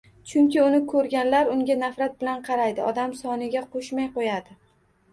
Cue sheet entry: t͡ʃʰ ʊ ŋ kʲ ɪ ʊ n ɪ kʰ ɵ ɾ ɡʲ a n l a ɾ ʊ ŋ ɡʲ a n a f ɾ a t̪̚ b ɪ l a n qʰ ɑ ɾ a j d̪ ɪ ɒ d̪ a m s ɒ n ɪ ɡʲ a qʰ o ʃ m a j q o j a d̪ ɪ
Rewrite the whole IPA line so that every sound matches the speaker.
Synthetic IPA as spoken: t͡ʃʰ ʊ ŋ kʲ ɪ ʊ n ɪ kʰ ɵ ɾ ɡʲ a n l a ɾ ʊ ŋ ɡʲ a n a f ɾ a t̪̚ b ɪ l a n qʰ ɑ ɾ a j d̪ ɪ ɒ d̪ a m s ɒ n ɪ ɡʲ a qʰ o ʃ m a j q o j a d̪ ɪ

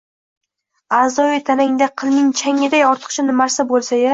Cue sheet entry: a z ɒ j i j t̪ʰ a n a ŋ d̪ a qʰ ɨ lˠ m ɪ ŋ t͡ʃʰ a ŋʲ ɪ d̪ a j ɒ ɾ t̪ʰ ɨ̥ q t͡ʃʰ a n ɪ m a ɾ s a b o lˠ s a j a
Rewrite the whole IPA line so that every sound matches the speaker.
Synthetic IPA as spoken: a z ɒ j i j t̪ʰ a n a ŋ d̪ a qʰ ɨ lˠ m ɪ ŋ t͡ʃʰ a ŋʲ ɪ d̪ a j ɒ ɾ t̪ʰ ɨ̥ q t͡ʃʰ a n ɪ m a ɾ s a b o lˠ s a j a

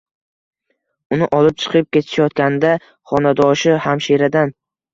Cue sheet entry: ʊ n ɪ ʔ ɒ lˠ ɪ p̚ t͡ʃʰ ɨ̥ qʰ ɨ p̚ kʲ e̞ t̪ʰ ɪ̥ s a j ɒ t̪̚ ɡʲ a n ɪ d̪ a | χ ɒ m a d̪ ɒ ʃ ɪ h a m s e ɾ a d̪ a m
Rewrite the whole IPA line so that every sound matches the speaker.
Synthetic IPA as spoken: ʊ n ɪ ʔ ɒ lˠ ɪ p̚ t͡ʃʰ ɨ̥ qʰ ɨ p̚ kʲ e̞ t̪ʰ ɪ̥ ʃ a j ɒ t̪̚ kʲ a n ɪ d̪ a | χ ɒ n a d̪ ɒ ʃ ɪ h a m ʃ e ɾ a d̪ a n

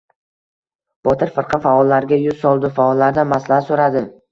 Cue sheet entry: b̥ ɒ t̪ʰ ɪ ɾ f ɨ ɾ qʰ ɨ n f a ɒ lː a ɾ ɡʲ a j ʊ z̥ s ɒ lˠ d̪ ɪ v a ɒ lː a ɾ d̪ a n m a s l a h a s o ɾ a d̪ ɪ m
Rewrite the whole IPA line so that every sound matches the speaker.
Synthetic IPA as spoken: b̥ ɒ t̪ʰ ɪ ɾ f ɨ ɾ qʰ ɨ n f a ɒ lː a ɾ ɡʲ a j ʊ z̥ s ɒ lˠ d̪ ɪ f a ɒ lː a ɾ d̪ a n m a s l a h a s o ɾ a d̪ ɪ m

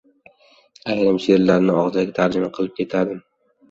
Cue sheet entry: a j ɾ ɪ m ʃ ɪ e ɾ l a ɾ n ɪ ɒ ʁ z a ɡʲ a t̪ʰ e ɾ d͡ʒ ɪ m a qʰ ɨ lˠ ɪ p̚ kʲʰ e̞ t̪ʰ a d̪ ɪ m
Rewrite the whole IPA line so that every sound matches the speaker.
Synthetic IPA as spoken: a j ɾ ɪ m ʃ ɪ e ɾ l a ɾ n ɪ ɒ ʁ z a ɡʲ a t̪ʰ a ɾ d͡ʒ ɪ m a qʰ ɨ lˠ ɪ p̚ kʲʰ e̞ t̪ʰ a d̪ ɪ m

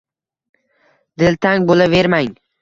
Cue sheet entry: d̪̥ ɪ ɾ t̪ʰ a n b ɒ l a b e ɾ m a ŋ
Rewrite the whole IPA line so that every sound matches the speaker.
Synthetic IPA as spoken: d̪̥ ɪ l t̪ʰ a ŋ b o l a v e ɾ m a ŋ

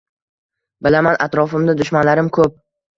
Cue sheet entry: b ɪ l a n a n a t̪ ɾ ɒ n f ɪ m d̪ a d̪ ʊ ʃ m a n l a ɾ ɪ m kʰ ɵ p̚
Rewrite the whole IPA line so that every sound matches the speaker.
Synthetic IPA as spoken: b ɪ l a m a n a t̪ ɾ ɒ f ɪ m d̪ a d̪ ʊ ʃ m a n l a ɾ ɪ m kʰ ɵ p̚

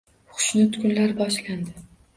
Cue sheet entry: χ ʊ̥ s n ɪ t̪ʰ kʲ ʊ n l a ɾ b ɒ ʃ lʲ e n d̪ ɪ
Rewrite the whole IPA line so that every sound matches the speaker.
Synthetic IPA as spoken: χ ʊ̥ ʃ n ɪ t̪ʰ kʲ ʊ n l a ɾ b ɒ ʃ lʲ a n d̪ ɪ

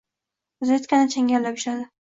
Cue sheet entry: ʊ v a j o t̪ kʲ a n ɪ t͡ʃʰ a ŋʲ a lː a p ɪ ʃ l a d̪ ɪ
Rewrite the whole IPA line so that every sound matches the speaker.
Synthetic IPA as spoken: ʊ z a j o t̪ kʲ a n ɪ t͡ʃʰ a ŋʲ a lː a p ɪ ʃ l a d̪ ɪ

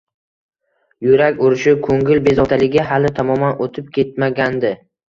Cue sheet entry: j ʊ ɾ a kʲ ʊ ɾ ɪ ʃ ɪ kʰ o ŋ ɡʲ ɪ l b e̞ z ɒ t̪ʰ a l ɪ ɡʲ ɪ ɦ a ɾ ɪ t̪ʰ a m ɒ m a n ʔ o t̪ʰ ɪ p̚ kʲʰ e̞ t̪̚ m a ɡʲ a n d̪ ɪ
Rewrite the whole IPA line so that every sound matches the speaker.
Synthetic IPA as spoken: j ʊ ɾ a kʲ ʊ ɾ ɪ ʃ ɪ kʰ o ŋ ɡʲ ɪ l b e̞ z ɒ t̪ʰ a l ɪ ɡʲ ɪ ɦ a l ɪ t̪ʰ a m ɒ m a n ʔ o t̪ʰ ɪ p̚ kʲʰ e̞ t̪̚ m a ɡʲ a n d̪ ɪ

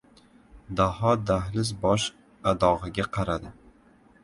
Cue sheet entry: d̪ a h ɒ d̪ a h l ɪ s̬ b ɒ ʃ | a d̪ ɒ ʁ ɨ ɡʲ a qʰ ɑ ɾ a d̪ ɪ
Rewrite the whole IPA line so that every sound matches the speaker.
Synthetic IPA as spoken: d̪ a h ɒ d̪ a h l ɪ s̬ b ɒ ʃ | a d̪ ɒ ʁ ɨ ɡʲ a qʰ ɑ ɾ a d̪ ɪ

